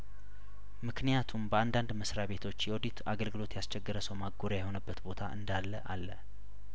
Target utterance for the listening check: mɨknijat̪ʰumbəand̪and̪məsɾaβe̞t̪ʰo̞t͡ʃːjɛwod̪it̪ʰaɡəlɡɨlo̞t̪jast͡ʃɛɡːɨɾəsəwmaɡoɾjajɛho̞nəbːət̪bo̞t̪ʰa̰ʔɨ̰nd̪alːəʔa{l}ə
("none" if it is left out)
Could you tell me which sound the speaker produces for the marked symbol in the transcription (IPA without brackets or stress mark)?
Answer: lː